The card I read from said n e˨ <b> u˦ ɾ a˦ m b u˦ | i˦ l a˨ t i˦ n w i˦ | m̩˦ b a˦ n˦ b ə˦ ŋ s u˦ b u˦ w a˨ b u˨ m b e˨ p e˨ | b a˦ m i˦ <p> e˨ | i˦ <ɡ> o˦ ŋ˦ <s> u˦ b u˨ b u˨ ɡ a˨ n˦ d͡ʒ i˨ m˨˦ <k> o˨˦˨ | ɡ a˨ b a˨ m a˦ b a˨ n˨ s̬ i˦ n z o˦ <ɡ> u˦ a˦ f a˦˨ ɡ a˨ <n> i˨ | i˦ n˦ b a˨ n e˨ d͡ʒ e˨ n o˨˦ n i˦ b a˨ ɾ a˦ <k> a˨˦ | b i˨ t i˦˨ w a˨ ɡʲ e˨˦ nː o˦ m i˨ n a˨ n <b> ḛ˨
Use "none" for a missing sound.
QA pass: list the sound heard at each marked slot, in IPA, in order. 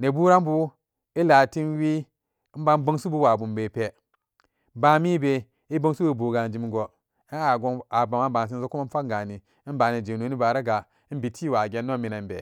b, b, b, s, ɡ, k, n, ɡ, b

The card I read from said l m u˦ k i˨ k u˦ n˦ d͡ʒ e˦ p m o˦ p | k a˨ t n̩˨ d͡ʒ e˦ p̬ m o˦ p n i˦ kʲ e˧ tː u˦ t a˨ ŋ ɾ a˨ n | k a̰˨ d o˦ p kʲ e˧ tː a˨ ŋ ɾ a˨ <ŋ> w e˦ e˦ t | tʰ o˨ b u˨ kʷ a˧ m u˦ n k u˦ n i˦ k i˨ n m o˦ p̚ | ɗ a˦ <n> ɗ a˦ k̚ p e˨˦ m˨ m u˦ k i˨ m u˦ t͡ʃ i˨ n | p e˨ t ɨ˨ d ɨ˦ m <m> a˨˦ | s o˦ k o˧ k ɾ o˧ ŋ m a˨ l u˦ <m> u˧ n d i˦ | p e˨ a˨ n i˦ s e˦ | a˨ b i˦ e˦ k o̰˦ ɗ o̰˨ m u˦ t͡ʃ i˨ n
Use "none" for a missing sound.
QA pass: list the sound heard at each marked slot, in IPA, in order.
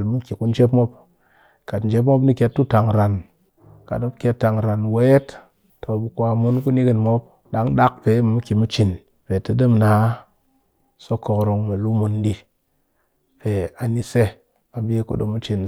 n, ŋ, n, m

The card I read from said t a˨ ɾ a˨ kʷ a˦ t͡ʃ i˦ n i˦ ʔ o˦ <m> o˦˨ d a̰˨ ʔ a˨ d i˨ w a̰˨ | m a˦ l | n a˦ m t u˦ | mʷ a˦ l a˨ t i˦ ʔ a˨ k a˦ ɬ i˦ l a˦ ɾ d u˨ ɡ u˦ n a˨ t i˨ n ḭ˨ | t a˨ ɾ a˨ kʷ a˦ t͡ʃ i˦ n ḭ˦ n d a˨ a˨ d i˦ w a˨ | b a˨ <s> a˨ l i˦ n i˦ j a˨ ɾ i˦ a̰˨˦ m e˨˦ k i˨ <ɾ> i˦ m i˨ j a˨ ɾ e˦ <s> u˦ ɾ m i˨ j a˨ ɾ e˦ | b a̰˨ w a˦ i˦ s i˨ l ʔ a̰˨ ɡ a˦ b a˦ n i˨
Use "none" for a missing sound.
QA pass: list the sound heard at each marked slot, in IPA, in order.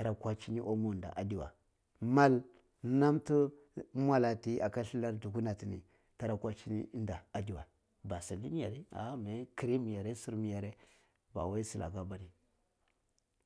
m, s, ɾ, s

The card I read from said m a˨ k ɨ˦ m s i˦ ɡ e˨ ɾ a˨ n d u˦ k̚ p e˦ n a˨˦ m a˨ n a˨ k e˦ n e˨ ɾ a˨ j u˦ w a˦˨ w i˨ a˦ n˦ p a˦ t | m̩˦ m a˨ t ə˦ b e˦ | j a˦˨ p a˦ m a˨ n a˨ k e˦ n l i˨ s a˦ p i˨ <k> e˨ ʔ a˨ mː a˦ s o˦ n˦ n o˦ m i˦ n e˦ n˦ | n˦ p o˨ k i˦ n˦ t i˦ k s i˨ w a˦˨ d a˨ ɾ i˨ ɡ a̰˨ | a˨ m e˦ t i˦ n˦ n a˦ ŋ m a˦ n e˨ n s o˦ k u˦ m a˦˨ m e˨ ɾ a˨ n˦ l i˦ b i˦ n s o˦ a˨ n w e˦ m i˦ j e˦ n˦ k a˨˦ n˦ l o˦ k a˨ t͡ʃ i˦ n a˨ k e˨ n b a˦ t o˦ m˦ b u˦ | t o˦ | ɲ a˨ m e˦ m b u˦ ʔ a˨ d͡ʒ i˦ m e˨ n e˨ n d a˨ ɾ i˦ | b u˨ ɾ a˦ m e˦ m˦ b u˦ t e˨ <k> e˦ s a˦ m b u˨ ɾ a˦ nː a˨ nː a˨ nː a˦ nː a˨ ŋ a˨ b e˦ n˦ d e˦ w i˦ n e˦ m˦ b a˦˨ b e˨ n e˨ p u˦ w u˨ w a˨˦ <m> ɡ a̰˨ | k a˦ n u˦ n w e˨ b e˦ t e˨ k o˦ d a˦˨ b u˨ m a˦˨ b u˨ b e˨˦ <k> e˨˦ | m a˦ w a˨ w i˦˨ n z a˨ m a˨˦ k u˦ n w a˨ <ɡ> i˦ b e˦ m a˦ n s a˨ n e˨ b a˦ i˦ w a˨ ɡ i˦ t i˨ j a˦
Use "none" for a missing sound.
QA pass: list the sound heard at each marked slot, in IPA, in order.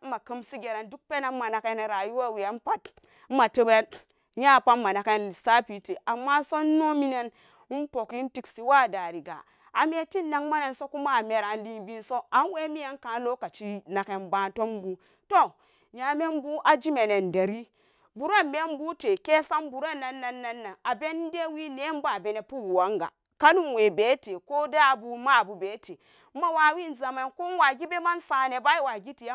t, k, ŋ, t, ɡ

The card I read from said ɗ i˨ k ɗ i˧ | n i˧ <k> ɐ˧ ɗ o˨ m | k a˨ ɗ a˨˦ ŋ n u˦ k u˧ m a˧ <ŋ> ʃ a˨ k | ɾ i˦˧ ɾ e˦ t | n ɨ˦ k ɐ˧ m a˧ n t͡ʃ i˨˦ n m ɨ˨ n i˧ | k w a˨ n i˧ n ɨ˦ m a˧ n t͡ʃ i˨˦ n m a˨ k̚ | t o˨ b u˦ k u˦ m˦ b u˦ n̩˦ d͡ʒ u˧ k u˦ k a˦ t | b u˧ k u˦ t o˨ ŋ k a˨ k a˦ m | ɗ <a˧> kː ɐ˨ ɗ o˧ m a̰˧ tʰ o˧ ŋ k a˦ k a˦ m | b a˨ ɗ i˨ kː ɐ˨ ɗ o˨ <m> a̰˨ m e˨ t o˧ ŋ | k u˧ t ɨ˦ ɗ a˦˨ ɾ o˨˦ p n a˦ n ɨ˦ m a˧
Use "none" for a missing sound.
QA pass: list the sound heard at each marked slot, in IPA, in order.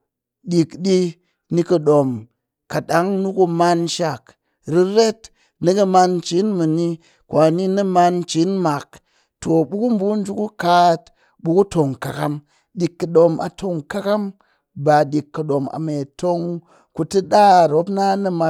k, n, i˧, m

